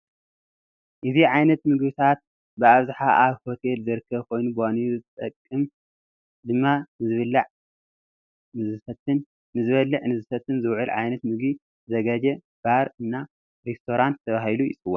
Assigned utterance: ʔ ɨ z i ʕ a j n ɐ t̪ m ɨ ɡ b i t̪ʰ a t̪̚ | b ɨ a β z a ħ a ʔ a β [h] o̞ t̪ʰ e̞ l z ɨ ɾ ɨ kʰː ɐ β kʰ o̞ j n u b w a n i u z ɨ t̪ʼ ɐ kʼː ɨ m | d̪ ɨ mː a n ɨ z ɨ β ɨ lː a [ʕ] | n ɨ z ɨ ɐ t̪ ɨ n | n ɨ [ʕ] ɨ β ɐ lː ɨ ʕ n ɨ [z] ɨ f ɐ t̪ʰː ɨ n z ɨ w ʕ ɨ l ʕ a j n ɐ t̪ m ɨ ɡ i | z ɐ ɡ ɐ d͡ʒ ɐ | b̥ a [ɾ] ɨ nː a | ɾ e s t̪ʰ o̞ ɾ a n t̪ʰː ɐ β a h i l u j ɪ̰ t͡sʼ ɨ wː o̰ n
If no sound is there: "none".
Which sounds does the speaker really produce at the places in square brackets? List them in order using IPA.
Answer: h, ʕ, z, z, ɾ

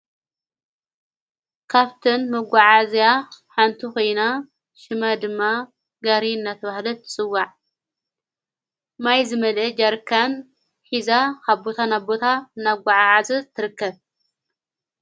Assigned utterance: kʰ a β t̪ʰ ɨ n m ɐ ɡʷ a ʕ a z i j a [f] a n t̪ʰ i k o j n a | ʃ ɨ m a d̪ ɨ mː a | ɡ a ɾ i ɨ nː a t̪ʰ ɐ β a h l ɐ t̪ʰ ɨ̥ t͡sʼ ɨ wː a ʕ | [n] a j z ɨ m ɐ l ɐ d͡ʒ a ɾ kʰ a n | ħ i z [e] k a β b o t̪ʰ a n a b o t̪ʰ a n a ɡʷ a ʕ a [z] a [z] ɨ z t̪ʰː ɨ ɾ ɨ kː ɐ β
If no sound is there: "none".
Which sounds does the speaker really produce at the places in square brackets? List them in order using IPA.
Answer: ħ, m, a, ʕ, z

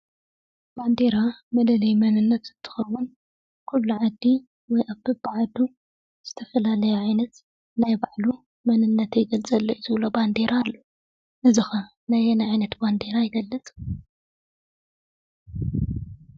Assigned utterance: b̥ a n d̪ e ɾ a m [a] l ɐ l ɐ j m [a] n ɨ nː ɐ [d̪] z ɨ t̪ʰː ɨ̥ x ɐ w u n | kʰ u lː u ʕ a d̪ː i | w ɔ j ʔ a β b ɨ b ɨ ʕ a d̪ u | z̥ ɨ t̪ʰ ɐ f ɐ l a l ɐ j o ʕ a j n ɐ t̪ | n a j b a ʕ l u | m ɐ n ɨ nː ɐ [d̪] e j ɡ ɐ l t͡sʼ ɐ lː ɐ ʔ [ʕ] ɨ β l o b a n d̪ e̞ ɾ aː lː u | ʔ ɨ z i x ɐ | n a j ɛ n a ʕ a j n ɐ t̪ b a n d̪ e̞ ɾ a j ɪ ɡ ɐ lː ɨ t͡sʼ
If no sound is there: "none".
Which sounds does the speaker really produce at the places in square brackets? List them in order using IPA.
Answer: ɐ, ɐ, t̪, t̪, z

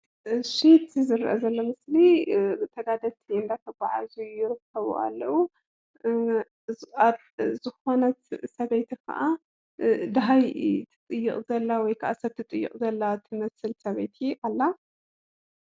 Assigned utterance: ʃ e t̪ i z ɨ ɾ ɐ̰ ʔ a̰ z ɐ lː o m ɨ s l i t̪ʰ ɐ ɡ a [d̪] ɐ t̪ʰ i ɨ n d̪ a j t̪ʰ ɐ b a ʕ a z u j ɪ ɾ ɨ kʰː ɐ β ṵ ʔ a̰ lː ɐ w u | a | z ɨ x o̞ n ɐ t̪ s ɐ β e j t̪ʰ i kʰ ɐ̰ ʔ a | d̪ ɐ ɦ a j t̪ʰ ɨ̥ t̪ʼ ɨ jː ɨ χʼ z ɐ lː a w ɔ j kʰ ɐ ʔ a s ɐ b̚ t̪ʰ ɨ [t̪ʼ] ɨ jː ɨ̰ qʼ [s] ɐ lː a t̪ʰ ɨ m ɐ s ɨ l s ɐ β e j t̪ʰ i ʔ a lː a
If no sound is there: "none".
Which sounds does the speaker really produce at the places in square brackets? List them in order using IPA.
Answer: d̪, t̪ʼ, z

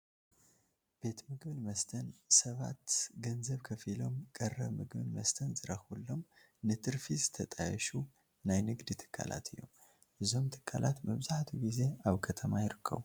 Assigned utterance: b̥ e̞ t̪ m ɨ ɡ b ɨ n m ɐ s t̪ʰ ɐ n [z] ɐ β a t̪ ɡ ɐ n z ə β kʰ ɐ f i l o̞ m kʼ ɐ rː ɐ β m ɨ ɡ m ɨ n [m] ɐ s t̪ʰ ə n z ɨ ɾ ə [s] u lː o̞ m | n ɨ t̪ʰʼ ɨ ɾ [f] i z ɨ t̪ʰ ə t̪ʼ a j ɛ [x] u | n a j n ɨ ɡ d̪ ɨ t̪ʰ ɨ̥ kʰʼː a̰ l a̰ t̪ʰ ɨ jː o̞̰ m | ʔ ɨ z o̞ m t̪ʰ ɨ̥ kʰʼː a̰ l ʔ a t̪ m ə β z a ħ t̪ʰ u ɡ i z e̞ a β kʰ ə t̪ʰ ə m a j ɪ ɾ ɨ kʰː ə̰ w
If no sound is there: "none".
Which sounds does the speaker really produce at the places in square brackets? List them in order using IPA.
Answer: s, m, x, f, ʃ

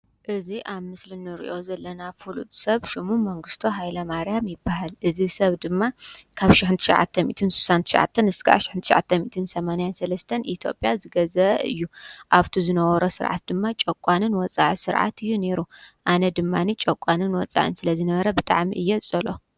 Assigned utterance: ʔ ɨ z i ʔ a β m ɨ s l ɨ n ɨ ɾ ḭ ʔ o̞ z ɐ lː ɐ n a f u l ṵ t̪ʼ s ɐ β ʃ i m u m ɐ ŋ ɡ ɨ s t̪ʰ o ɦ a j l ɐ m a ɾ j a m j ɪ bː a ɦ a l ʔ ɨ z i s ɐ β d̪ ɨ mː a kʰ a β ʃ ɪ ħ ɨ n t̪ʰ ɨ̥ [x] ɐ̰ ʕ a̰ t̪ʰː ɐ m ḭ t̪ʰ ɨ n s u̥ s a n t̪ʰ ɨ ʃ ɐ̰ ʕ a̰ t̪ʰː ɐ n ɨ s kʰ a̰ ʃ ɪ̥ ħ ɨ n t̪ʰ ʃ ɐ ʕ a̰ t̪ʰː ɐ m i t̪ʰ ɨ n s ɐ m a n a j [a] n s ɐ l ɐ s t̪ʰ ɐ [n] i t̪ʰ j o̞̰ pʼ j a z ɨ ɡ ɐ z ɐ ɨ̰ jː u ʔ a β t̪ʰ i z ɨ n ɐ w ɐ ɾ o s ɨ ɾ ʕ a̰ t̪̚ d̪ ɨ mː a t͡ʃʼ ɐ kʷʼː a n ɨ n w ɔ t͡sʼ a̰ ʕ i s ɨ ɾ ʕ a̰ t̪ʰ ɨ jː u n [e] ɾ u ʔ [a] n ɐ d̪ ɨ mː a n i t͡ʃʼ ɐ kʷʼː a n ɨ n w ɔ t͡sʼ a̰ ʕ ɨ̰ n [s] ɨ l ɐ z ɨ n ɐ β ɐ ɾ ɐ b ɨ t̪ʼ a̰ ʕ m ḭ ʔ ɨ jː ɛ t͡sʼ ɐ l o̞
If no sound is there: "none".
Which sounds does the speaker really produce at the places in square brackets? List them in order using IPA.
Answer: ʃ, a, n, e, a, s

